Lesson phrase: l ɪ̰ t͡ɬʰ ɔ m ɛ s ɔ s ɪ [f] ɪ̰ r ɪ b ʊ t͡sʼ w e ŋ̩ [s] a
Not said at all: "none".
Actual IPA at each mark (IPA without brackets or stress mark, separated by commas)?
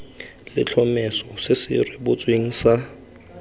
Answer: s, s